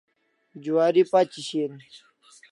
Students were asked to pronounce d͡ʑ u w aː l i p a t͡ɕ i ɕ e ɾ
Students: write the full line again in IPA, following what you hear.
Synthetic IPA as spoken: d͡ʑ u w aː ɾ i p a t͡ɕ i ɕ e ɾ